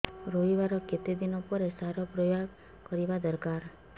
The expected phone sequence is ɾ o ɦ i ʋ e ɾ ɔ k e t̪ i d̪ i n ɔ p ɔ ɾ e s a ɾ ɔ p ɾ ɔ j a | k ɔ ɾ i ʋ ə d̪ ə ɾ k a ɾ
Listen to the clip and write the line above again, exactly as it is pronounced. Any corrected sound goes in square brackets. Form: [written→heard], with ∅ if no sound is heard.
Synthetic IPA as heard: ɾ o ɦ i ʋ [e→a] ɾ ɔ k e t̪ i d̪ i n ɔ p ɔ ɾ e s a ɾ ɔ p ɾ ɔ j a | k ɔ ɾ i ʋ [ə→a] d̪ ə ɾ k a ɾ